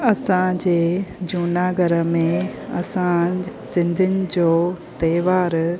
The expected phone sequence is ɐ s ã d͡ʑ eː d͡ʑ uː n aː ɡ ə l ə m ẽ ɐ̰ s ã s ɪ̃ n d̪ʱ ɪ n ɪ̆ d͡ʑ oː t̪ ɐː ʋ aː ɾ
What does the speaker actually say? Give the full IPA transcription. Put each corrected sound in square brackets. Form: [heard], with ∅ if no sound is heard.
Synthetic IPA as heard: ɐ s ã d͡ʑ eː d͡ʑ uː n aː ɡ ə [ɾ] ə m ẽ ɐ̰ s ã s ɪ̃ n d̪ʱ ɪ n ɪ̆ d͡ʑ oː t̪ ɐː ʋ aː ɾ